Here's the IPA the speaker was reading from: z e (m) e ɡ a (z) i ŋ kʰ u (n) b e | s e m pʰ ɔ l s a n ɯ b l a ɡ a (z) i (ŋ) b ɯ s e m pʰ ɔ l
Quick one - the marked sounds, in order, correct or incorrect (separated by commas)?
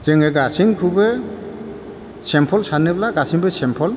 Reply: incorrect, incorrect, incorrect, incorrect, correct